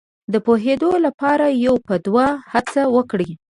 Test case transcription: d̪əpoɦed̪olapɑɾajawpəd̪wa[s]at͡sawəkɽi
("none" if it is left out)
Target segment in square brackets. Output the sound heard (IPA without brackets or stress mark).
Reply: h